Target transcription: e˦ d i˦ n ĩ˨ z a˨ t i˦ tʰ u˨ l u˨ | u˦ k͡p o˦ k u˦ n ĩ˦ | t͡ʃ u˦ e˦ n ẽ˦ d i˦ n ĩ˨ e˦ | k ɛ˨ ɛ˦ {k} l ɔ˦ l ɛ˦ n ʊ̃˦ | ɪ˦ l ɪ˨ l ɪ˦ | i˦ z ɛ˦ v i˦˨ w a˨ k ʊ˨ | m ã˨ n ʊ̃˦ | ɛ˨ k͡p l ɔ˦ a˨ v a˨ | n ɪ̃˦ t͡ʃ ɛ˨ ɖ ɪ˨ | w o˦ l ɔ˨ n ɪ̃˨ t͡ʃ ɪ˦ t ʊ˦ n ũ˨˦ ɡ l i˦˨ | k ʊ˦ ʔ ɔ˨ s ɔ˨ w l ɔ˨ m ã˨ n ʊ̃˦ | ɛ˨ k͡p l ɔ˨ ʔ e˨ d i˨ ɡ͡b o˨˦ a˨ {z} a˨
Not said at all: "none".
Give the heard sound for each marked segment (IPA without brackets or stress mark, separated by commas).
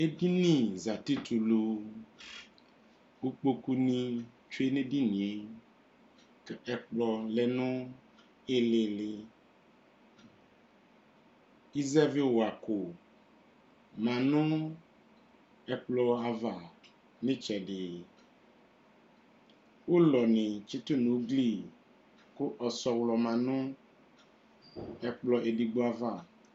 k͡p, v